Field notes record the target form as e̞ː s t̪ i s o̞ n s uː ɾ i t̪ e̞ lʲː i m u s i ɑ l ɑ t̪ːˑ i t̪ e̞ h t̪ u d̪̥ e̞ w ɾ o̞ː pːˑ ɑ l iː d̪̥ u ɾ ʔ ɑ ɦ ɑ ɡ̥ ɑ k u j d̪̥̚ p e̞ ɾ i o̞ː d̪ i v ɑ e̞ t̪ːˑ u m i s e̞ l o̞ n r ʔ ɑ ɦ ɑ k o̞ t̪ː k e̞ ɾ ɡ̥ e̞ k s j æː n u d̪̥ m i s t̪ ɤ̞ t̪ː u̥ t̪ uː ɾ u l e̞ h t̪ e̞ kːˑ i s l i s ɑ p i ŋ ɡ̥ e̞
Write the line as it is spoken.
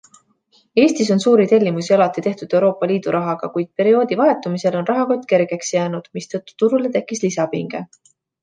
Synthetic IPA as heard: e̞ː s t̪ i s o̞ n s uː ɾ i t̪ e̞ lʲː i m u s i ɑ l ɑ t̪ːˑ i t̪ e̞ h t̪ u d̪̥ e̞ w ɾ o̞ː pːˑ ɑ l iː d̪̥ u ɾ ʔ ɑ ɦ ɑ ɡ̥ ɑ k u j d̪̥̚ p e̞ ɾ i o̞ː d̪ i v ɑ e̞ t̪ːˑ u m i s e̞ l o̞ n r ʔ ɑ ɦ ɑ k o̞ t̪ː k e̞ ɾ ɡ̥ e̞ k s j æː n u d̪̥ m i s t̪ ɤ̞ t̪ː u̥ t̪ u ɾ u l e̞ t̪ e̞ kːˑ i s l i s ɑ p i ŋ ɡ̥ e̞